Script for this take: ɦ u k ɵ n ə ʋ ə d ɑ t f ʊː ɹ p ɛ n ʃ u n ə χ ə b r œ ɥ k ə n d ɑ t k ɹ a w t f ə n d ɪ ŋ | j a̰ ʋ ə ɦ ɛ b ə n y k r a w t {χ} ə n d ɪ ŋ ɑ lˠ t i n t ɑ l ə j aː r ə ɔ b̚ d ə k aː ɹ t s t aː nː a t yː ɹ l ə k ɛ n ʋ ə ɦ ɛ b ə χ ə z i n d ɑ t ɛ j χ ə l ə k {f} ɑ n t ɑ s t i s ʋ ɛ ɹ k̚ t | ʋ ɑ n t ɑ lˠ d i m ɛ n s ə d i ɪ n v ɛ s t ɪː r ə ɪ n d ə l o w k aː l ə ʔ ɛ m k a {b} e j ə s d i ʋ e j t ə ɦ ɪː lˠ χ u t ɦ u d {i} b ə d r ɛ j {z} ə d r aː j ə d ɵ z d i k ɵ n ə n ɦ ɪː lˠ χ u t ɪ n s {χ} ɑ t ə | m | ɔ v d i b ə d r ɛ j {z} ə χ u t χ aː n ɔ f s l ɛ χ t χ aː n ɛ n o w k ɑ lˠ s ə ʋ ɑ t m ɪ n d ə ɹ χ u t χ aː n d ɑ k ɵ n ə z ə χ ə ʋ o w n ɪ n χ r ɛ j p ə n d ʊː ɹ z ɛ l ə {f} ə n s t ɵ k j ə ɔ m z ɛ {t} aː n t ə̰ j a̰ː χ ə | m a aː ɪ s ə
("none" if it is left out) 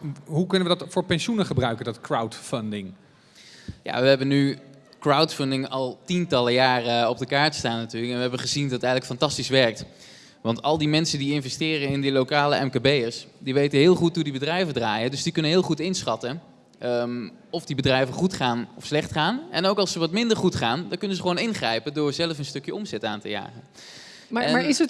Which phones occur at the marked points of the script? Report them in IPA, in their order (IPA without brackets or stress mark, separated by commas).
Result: f, f, b, i, v, χ, v, f, t